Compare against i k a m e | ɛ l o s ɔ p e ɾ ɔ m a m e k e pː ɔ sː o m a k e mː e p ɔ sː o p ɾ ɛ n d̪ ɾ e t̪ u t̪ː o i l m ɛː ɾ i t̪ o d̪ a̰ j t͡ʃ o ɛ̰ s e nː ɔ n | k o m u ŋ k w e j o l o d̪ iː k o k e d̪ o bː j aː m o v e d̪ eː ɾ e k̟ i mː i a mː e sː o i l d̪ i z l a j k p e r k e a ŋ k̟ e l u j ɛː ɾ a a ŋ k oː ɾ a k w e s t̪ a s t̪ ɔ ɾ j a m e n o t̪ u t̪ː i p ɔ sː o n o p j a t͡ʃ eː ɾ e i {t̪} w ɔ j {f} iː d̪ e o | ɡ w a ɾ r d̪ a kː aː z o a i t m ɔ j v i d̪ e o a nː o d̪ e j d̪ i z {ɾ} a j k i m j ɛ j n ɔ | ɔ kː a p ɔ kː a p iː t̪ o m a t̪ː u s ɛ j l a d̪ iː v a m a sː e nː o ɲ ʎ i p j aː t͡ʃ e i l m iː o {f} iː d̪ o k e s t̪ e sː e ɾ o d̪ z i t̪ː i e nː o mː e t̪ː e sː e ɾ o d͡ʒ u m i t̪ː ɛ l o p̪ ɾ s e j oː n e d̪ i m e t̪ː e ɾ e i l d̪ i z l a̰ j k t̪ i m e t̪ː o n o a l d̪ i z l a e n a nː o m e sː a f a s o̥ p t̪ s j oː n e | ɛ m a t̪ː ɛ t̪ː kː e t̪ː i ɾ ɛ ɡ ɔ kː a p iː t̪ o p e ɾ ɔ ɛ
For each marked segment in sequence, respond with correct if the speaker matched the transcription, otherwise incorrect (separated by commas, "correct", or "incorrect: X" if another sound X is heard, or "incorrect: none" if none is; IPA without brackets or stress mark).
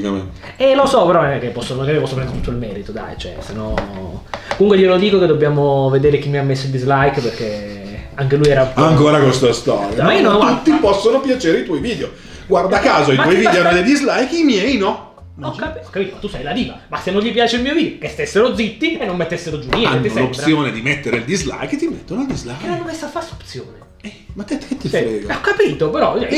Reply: correct, incorrect: v, incorrect: l, incorrect: v